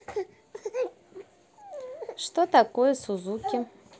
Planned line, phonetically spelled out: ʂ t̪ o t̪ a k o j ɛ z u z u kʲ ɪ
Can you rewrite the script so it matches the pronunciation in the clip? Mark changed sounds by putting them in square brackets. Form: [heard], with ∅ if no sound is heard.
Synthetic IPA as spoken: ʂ t̪ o t̪ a k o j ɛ [s] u z u kʲ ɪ

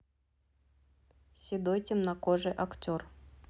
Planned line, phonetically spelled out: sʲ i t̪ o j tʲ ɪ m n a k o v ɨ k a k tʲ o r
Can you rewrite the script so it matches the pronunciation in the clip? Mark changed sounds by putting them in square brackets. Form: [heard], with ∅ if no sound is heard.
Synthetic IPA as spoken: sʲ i [d̪] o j tʲ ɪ m n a k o [ʐ] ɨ [ʔ] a k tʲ o r

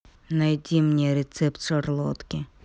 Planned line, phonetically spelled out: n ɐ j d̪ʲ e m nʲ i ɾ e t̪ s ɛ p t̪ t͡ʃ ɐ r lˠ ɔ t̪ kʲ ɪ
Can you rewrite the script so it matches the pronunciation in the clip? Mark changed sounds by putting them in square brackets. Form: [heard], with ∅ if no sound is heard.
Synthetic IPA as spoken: n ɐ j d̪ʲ [i] m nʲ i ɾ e t̪ s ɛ p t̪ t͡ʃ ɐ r lˠ ɔ t̪ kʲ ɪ

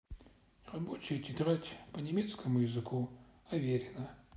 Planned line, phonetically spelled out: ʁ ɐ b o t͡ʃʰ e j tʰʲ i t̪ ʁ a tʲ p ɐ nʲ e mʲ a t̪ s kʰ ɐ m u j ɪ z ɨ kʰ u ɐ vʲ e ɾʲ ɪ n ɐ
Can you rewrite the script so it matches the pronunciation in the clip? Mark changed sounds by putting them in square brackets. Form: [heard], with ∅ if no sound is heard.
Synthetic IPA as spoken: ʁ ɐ b o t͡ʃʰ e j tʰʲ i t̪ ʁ a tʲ p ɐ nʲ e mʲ [e] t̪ s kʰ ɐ m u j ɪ z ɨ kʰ u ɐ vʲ e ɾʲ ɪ n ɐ

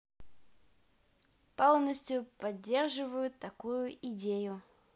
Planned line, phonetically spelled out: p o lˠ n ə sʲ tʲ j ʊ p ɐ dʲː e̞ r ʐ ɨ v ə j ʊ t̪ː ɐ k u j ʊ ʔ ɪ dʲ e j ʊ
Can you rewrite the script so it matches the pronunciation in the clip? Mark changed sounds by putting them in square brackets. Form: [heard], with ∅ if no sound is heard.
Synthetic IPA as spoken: p o lˠ n ə sʲ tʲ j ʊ p ɐ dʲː e̞ r ʐ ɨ v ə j ʊ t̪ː ɐ k u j ʊ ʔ ɪ dʲ e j ʊ

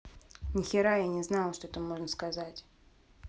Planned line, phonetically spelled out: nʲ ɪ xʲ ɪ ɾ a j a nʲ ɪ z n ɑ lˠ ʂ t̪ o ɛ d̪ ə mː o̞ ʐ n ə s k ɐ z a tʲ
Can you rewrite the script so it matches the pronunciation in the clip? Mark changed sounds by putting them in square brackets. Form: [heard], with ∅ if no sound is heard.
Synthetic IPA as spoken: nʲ ɪ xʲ ɪ ɾ a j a nʲ ɪ z n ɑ lˠ ʂ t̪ o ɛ [t̪] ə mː o̞ ʐ n ə s k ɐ z a tʲ

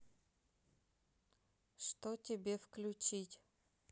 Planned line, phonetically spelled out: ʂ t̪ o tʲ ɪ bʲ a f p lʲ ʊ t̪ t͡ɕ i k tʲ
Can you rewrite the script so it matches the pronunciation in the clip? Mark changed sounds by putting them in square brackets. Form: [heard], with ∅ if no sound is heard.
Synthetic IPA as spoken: ʂ t̪ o tʲ ɪ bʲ [e] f [k] lʲ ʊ [∅] t͡ɕ i [∅] tʲ

